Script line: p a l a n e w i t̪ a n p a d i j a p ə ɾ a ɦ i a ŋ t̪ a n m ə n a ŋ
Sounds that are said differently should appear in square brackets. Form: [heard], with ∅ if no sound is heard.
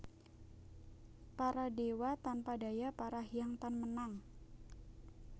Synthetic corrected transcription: p a [ɾ] a [d] e w [a] t̪ a n p a d [a] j a p [a] ɾ a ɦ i a ŋ t̪ a n m ə n a ŋ